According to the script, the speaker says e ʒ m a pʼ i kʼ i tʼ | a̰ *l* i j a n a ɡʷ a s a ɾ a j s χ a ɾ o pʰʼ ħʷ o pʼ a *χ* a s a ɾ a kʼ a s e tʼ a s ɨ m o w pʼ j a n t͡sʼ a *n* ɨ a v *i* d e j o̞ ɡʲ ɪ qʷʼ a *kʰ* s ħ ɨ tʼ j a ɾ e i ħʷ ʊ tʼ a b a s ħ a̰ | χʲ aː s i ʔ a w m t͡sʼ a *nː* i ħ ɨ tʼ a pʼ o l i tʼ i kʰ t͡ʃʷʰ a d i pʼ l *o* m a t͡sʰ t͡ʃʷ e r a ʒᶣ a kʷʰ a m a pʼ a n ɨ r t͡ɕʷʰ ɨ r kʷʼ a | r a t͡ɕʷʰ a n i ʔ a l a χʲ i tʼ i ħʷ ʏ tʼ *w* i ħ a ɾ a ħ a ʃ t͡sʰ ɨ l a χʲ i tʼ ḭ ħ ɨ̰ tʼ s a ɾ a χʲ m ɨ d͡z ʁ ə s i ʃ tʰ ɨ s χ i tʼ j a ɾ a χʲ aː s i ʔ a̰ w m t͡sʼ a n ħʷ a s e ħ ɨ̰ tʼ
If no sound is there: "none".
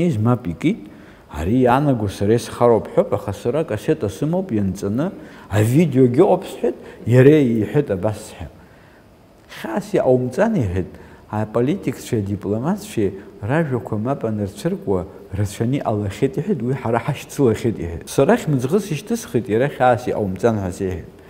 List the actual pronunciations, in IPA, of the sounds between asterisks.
ɾ, χ, n, i, pʰ, n, o, w

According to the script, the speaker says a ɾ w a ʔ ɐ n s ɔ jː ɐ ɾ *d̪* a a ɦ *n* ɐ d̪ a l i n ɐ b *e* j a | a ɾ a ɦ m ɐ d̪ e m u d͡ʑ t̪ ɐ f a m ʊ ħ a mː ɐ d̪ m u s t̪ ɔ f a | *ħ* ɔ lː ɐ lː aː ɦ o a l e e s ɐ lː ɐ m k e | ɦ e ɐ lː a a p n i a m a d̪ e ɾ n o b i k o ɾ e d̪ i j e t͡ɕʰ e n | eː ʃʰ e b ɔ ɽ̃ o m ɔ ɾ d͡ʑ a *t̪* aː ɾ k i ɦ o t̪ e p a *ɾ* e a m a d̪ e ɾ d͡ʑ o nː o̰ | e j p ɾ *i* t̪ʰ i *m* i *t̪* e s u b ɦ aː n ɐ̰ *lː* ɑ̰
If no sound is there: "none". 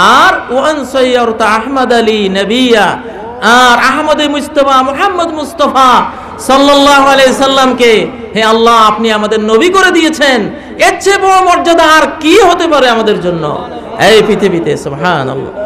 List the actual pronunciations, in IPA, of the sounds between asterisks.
t̪, m, i, s, d̪, ɾ, i, b, t̪, lː

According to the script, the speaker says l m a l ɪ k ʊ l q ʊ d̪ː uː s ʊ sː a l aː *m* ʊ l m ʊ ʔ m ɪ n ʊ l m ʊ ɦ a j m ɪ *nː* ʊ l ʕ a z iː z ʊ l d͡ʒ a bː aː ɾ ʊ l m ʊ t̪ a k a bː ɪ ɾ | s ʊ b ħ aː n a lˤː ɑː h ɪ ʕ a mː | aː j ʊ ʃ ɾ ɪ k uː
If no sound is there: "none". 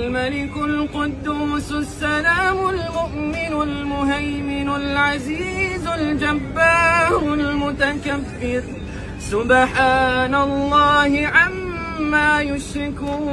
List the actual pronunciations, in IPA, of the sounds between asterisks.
m, n

